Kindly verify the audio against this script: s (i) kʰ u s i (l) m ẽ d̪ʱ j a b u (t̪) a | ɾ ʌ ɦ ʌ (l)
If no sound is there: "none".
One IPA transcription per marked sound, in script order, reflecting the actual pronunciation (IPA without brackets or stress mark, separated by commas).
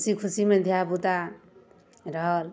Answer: i, none, t̪, l